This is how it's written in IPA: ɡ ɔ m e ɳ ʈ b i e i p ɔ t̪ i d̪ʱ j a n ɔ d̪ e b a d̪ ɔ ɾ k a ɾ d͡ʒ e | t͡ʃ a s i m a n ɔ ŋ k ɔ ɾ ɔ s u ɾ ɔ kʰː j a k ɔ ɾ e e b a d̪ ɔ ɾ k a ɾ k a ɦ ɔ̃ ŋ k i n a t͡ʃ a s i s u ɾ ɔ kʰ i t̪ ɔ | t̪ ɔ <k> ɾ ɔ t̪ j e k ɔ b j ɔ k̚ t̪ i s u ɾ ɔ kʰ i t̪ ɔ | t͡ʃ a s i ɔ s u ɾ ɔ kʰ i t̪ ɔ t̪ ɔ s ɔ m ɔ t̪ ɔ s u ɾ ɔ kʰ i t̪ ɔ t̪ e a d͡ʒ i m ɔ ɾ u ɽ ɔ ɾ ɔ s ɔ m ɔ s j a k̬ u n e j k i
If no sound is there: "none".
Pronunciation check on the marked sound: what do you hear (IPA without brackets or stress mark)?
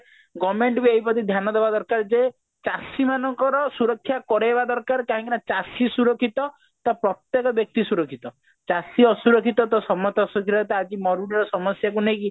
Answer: p